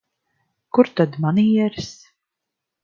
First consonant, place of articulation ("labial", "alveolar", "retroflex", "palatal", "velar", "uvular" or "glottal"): velar